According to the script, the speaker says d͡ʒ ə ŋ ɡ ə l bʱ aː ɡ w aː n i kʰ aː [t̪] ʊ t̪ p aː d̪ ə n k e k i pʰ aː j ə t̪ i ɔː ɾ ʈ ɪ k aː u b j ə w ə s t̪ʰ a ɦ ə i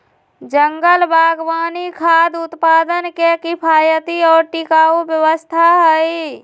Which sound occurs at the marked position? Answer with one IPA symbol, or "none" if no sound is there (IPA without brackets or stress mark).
d̪